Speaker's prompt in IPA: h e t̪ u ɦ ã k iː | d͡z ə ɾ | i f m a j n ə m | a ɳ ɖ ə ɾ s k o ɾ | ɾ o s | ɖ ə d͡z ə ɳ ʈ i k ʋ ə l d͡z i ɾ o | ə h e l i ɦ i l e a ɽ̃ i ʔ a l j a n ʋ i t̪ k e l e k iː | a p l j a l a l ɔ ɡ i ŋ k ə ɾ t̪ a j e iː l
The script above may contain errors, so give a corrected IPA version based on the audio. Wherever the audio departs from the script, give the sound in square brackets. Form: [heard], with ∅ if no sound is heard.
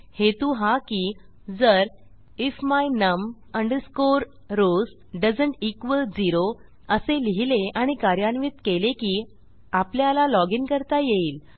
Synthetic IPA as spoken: h e t̪ u ɦ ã k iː | d͡z ə ɾ | i f m a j n ə m | [ə] ɳ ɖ ə ɾ s k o ɾ | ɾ o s | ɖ ə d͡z ə ɳ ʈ i k ʋ ə l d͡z i ɾ o | ə [s] e l i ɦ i l e a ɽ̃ i [k] a [ɾ] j a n ʋ i t̪ k e l e k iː | a p l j a l a l ɔ ɡ i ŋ k ə ɾ t̪ a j e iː l